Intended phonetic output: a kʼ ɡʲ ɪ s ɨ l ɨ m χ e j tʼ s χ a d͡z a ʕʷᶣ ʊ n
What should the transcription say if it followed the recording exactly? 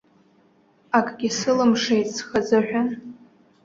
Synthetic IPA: a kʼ ɡʲ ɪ s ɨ l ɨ m ʂ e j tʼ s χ a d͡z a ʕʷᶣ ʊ n